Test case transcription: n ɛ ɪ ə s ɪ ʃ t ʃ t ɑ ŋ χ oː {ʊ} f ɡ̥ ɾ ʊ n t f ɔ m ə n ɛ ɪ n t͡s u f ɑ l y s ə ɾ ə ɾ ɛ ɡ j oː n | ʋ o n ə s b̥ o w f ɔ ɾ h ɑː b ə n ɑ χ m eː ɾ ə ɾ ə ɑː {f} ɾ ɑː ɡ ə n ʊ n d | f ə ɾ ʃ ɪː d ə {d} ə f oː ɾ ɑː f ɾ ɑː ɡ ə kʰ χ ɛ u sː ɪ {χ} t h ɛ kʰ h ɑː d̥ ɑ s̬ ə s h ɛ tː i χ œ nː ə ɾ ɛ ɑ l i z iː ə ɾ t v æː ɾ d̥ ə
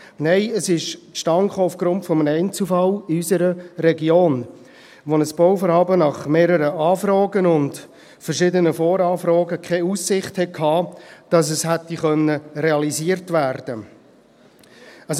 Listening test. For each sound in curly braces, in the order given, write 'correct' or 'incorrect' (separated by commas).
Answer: correct, correct, incorrect, correct